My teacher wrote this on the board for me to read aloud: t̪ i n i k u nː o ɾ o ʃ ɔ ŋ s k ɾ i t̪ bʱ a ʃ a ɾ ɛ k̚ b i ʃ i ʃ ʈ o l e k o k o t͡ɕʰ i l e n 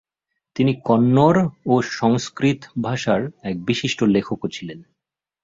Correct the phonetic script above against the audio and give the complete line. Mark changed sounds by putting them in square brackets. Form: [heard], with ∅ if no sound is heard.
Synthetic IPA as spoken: t̪ i n i k [ɔ] nː o ɾ o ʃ ɔ ŋ s k ɾ i t̪ bʱ a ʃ a ɾ ɛ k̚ b i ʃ i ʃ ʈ o l e [kʰ] o k o t͡ɕʰ i l e n